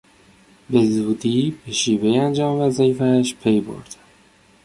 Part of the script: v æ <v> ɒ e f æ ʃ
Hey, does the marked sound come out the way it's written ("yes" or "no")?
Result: no